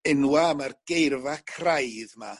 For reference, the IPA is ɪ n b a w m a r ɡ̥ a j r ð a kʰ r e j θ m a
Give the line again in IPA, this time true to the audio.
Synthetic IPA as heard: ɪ n w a m a r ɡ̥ e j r v a kʰ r a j ð m a